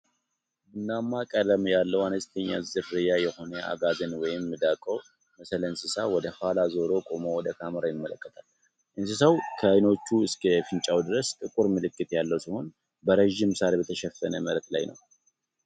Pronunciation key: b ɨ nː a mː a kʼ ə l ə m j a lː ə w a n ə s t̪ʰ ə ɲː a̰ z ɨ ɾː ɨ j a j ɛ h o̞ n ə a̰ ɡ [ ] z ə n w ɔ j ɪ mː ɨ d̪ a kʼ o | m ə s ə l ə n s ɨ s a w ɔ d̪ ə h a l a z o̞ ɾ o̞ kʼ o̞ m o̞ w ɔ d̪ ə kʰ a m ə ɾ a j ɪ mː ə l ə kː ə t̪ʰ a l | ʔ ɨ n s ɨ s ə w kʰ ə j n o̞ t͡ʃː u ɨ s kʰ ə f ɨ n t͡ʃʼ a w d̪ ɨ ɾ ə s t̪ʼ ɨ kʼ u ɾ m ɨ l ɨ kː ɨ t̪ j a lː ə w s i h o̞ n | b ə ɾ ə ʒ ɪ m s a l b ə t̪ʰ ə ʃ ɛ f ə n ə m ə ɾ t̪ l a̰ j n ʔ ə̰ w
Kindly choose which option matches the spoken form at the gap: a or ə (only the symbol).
a